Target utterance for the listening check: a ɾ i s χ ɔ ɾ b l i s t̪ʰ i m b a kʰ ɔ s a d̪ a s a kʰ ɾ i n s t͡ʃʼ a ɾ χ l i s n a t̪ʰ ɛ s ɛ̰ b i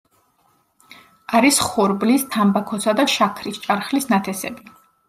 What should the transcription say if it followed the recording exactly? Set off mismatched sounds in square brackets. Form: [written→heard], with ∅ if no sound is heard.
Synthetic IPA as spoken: a ɾ i s χ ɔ ɾ b l i s t̪ʰ [i→a] m b a kʰ ɔ s a d̪ a [s→ʃ] a kʰ ɾ i [n→∅] s t͡ʃʼ a ɾ χ l i s n a t̪ʰ ɛ s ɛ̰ b i